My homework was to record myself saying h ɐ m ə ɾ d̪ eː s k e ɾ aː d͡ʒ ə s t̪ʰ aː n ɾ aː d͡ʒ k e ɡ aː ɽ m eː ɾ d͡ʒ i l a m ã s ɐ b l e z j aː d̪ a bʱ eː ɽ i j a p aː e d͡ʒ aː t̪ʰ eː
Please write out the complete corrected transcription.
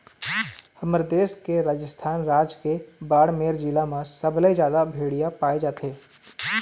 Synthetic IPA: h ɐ m ə ɾ d̪ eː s k e ɾ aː d͡ʒ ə s t̪ʰ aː n ɾ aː d͡ʒ k e b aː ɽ m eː ɾ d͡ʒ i l a m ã s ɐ b l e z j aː d̪ a bʱ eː ɽ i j a p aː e d͡ʒ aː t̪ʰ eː